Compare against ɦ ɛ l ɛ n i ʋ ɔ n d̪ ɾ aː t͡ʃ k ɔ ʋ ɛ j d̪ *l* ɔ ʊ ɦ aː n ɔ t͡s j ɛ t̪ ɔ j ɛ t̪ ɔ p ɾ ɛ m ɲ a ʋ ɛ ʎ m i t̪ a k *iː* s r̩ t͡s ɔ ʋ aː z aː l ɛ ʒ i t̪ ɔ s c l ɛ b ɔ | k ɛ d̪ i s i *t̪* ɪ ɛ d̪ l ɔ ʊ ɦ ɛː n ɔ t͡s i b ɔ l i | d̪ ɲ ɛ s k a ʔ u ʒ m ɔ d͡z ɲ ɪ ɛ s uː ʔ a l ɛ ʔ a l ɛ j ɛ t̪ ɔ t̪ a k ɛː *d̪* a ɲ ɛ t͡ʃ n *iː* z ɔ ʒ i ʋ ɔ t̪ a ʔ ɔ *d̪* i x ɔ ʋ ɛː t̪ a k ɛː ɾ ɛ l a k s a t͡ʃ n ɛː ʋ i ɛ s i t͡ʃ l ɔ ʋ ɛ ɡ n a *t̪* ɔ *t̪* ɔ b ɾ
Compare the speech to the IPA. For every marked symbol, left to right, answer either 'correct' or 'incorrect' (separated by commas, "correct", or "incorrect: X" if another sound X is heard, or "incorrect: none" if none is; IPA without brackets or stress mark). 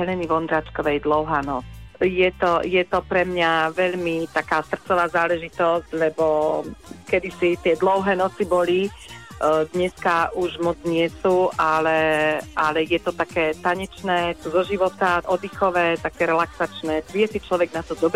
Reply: correct, incorrect: aː, correct, incorrect: t̪, incorrect: ɛː, correct, correct, incorrect: d̪